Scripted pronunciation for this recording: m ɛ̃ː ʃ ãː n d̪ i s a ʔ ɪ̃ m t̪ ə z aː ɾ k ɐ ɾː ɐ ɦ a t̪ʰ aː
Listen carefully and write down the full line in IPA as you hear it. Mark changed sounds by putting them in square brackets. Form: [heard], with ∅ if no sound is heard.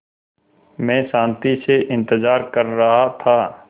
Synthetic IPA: m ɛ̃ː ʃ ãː n [t̪] i s [e] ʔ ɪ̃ [n] t̪ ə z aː ɾ k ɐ ɾː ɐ ɦ a t̪ʰ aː